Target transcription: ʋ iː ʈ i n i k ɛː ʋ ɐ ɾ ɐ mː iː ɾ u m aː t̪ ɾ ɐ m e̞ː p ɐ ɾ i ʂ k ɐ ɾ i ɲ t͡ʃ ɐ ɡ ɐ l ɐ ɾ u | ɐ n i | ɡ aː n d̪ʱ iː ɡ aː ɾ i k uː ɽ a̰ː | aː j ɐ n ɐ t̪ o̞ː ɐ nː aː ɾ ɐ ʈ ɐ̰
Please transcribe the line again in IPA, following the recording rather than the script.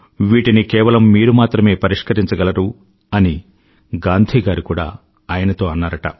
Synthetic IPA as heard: ʋ iː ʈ i n i k ɛː ʋ ɐ l ɐ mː iː ɾ u m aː t̪ ɾ ɐ m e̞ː p ɐ ɾ i ʂ k ɐ ɾ i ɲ t͡ʃ ɐ ɡ ɐ l ɐ ɾ u | ɐ n i | ɡ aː n d̪ʱ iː ɡ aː ɾ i k uː ɽ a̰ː | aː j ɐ n ɐ t̪ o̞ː ɐ nː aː ɾ ɐ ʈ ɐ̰